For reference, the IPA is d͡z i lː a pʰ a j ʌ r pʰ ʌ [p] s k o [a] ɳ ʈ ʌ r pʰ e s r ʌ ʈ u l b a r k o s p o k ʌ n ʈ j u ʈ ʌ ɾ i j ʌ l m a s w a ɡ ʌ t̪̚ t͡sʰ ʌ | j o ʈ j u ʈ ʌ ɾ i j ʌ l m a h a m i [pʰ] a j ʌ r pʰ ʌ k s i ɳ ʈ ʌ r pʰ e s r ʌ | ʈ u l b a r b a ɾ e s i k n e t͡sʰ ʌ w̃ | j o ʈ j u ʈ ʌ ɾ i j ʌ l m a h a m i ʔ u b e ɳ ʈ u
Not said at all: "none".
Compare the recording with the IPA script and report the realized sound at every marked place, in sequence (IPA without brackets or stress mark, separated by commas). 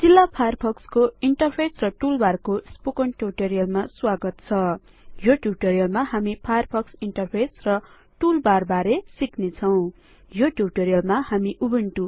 k, i, pʰ